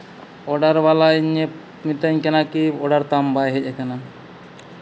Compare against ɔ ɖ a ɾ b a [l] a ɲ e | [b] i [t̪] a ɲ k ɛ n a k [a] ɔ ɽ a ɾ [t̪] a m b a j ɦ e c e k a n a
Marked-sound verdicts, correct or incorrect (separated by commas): correct, incorrect, correct, incorrect, correct